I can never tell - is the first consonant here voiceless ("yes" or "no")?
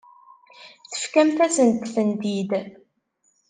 yes